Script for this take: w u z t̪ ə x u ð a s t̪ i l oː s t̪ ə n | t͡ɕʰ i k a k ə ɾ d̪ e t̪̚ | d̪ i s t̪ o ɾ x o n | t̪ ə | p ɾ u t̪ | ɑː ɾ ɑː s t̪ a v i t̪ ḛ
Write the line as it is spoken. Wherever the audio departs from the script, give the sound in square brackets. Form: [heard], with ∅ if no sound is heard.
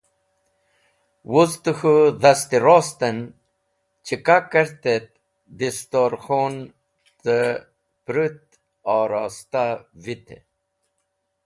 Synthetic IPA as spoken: w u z t̪ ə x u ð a s t̪ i [ɾ] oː s t̪ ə n | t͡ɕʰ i k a k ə ɾ [t̪] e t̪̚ | d̪ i s t̪ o ɾ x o n | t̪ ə | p ɾ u t̪ | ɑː ɾ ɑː s t̪ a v i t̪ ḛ